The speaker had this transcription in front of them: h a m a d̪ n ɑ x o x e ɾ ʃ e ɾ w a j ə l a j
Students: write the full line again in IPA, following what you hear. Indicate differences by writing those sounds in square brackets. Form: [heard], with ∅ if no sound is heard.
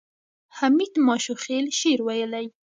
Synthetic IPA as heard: h a m [i] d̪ [m] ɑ [ʃ] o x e [l] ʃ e ɾ w a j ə l a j